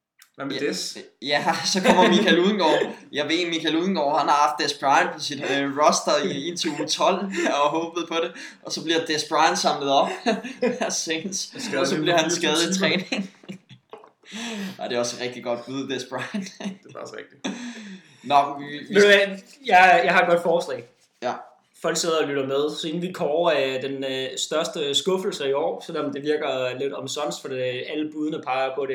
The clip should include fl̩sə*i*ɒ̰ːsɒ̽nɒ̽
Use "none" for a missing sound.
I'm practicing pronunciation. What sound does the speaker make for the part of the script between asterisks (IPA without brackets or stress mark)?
i